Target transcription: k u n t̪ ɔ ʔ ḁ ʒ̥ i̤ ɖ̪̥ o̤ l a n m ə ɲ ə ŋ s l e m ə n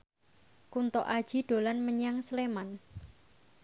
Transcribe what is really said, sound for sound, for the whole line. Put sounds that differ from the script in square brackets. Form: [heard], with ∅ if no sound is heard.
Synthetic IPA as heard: k u n t̪ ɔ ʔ ḁ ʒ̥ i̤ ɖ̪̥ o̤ l a n m ə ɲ [a] ŋ s l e m [a] n